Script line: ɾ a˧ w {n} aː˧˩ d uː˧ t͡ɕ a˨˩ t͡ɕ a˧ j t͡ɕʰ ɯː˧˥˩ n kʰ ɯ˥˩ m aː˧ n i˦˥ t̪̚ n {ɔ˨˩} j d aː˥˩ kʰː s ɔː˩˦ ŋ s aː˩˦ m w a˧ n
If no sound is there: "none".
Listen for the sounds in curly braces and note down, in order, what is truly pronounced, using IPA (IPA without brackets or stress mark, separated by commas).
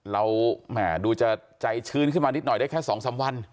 m, ɔ˨˩